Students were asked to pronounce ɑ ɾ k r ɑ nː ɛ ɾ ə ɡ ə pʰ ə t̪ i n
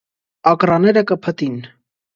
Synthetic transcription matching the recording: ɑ k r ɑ n ɛ ɾ ə k ə pʰ ə t̪ i n